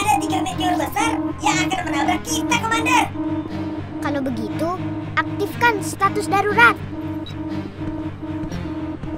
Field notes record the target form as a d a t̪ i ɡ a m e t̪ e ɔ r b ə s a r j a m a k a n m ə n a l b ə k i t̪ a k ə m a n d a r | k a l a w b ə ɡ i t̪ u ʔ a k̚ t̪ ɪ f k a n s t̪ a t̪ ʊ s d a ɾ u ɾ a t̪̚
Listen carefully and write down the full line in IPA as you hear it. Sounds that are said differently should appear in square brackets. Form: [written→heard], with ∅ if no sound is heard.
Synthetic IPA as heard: a d a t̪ i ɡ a m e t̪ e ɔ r b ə s a r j a [m→ŋ] a k a n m ə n a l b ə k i t̪ a k ə m a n d a r | k a l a w b ə ɡ i t̪ u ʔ a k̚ t̪ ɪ f k a n s t̪ a t̪ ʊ s d a ɾ u ɾ a t̪̚

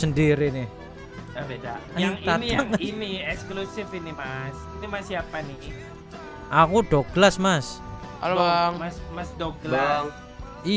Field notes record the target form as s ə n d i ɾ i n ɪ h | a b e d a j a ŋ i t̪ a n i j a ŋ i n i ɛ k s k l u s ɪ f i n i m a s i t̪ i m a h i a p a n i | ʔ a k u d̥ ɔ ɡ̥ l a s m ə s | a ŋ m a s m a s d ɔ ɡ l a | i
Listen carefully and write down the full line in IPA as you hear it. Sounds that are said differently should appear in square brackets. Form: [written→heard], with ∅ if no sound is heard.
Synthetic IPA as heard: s ə n d i ɾ i n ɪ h | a b e d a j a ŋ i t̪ a n i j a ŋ i n i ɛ k s k l u s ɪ f i n i m a s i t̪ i m a [h→s] i a p a n i | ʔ a k u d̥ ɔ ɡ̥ l a s m [ə→a] s | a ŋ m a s m a s d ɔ ɡ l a | i

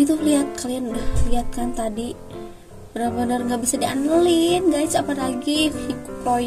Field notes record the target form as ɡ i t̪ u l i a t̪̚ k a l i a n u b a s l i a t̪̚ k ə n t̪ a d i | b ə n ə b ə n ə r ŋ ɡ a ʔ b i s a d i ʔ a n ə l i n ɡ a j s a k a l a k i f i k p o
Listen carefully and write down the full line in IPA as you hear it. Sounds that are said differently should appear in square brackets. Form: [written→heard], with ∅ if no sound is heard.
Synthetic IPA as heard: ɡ i t̪ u l i a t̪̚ k a l i a n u [b→d] a [s→h] l i a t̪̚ k [ə→a] n t̪ a d i | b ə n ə b ə n ə r ŋ ɡ a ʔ b i s a d i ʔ a n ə l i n ɡ a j s a [k→p] a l a [k→ɡ] i f i k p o

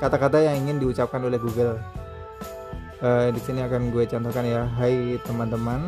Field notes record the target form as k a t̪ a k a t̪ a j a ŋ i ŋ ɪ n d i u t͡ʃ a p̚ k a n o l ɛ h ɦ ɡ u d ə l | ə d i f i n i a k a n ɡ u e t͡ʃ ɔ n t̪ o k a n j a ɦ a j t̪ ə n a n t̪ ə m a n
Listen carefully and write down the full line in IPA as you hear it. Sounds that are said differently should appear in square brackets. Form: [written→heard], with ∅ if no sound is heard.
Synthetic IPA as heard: k a t̪ a k a t̪ a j a ŋ i ŋ ɪ n d i u t͡ʃ a p̚ k a n o l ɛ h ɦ ɡ u [d→ɡ] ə l | ə d i [f→s] i n i a k a n ɡ u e t͡ʃ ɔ n t̪ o k a n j a ɦ a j t̪ ə [n→m] a n t̪ ə m a n

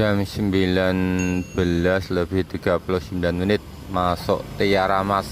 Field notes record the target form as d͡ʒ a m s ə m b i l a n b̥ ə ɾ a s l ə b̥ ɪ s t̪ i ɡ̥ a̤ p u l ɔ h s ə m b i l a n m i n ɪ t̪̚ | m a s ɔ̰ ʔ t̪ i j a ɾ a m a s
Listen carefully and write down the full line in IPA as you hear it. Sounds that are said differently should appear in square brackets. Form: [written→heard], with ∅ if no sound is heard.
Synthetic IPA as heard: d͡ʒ a m s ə m b i l a n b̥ ə [ɾ→l] a s l ə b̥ ɪ [s→h] t̪ i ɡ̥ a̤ p u l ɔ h s ə m b i l a n m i n ɪ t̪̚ | m a s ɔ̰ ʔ t̪ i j a ɾ a m a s

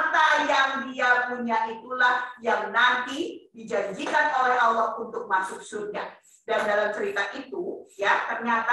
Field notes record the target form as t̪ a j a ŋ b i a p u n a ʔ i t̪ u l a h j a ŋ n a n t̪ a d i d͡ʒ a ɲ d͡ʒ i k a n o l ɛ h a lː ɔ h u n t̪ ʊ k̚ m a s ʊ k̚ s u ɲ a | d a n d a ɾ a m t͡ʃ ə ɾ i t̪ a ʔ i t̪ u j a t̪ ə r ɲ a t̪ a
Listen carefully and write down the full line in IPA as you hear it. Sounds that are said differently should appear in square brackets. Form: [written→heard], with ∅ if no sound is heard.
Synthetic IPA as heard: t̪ a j a ŋ [b→d] i a p u [n→ɲ] a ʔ i t̪ u l a h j a ŋ n a n t̪ [a→i] d i d͡ʒ a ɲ d͡ʒ i k a n o l ɛ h a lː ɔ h u n t̪ ʊ k̚ m a s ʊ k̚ s u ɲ a | d a n d a [ɾ→l] a m t͡ʃ ə ɾ i t̪ a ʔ i t̪ u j a t̪ ə r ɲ a t̪ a

